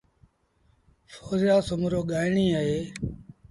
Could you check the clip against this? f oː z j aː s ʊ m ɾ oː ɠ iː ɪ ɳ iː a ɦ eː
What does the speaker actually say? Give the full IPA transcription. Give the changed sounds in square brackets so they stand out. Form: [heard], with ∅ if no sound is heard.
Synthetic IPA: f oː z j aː s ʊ m ɾ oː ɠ [aː] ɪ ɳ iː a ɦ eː